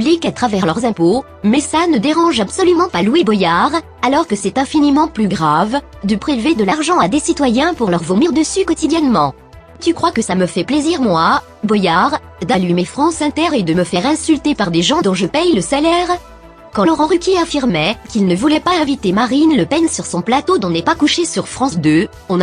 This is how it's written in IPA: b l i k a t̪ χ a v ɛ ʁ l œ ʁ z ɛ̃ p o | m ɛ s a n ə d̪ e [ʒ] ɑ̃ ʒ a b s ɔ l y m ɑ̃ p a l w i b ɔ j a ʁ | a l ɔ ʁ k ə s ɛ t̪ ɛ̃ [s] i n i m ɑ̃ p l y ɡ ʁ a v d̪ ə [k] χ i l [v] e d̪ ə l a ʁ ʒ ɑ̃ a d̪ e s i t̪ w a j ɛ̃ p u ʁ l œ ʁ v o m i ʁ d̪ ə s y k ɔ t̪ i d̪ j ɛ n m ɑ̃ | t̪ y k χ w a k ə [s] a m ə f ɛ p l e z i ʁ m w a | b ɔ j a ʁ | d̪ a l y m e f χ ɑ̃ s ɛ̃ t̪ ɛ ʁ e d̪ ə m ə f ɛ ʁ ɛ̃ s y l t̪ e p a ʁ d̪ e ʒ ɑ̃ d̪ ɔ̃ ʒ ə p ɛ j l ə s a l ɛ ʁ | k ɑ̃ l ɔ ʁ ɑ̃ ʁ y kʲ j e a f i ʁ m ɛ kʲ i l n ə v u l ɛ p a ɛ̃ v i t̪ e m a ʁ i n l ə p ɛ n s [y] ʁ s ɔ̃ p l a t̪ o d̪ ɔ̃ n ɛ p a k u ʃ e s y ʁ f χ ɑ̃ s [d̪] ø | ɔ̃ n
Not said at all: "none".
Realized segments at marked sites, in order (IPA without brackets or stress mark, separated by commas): ʁ, f, p, v, s, y, d̪